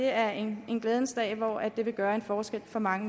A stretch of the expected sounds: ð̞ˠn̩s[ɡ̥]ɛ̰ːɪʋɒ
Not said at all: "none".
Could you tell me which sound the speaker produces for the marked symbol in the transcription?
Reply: d̥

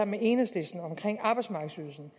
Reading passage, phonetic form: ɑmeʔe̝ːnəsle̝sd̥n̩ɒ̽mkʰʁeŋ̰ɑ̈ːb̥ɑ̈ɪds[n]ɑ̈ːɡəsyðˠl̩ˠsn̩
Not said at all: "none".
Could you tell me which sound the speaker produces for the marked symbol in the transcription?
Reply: m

